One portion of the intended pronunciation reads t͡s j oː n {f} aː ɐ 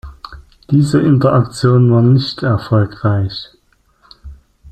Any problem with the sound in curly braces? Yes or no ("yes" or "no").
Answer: yes